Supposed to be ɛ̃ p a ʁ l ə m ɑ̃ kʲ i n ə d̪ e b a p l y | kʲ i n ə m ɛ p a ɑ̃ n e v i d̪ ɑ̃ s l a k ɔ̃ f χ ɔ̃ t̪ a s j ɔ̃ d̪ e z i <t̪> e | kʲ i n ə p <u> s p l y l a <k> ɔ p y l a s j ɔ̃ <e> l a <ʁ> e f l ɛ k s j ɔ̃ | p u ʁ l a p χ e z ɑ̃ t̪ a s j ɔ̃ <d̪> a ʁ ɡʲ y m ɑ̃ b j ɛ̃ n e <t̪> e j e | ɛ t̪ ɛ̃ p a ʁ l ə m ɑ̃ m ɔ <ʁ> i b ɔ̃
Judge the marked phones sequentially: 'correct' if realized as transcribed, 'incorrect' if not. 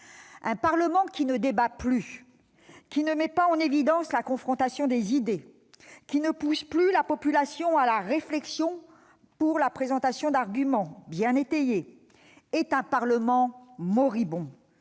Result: incorrect, correct, incorrect, incorrect, correct, correct, correct, correct

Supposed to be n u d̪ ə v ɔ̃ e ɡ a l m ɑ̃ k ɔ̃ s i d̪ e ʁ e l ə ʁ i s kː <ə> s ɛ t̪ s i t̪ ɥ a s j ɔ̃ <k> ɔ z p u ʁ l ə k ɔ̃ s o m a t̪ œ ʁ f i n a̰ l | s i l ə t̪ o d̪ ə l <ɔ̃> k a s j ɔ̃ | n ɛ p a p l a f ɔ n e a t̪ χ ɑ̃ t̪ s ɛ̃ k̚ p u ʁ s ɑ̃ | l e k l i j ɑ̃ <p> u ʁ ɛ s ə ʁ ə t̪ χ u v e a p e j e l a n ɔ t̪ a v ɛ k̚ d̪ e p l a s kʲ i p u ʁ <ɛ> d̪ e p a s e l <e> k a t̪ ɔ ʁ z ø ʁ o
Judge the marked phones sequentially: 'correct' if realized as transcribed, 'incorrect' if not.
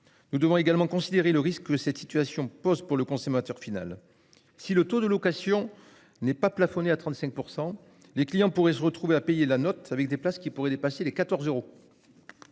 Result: correct, incorrect, incorrect, correct, correct, correct

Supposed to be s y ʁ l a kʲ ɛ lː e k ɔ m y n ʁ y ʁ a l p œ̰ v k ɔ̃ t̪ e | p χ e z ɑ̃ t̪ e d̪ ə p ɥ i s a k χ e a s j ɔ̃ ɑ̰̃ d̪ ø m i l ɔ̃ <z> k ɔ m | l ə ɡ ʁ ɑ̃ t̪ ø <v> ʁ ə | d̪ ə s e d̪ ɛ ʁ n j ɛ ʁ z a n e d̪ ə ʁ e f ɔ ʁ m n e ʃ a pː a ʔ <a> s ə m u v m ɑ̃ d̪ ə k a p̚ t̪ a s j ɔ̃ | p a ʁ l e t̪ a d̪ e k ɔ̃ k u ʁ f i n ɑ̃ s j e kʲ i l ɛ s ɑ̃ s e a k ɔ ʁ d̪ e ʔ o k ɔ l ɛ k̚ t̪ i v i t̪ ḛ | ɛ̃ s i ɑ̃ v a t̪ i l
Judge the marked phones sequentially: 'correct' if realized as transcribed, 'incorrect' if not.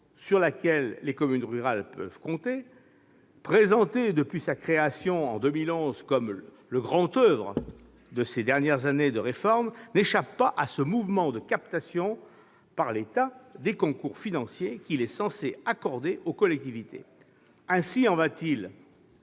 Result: correct, correct, correct

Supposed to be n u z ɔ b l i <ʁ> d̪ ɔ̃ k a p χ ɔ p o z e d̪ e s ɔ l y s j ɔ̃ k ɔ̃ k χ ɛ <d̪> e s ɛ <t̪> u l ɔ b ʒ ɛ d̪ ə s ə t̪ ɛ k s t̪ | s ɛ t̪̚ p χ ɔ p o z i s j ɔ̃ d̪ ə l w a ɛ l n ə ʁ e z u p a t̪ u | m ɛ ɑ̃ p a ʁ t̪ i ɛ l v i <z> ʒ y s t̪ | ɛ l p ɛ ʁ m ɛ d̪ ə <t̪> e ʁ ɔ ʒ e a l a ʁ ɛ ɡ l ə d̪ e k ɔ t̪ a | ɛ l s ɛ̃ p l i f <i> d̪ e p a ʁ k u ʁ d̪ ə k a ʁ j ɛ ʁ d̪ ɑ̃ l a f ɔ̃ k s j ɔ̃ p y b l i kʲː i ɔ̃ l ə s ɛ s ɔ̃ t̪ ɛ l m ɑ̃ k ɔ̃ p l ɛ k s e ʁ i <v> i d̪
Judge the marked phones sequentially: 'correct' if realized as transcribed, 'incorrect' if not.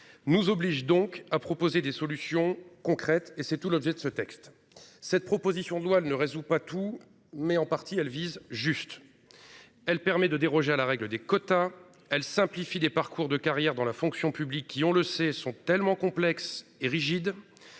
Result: incorrect, incorrect, correct, correct, incorrect, correct, incorrect

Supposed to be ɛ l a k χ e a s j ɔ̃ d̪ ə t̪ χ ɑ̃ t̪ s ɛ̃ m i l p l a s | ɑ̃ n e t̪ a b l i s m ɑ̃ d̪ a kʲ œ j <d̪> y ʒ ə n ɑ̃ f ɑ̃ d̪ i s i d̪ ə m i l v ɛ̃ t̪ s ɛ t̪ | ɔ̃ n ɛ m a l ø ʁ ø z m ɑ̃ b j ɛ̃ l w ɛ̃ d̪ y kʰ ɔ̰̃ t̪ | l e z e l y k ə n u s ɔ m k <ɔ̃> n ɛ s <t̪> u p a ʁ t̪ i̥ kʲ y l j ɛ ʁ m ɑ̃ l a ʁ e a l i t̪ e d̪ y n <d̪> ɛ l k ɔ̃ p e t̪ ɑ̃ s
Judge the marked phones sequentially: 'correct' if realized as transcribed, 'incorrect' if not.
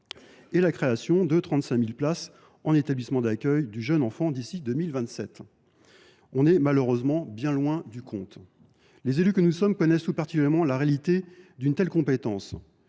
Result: correct, incorrect, correct, incorrect

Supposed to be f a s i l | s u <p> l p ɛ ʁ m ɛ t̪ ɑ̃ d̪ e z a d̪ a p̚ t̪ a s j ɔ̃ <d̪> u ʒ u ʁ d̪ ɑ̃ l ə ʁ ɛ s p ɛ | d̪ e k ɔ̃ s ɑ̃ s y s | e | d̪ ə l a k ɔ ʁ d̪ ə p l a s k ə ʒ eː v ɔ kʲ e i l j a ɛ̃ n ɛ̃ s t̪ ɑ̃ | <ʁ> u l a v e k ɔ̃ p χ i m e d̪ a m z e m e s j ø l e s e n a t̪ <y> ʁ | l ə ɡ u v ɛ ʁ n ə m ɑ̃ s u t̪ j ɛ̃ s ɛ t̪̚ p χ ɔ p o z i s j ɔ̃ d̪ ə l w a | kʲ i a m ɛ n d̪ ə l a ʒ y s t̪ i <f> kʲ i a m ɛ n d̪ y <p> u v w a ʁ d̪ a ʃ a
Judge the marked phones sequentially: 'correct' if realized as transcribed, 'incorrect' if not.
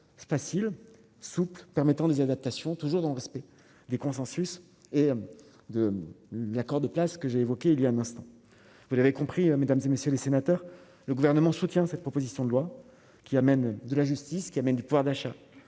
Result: correct, incorrect, incorrect, incorrect, incorrect, correct

